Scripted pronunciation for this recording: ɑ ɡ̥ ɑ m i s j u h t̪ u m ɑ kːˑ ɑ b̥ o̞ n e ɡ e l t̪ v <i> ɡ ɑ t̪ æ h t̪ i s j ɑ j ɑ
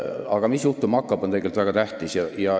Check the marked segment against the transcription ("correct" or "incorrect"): incorrect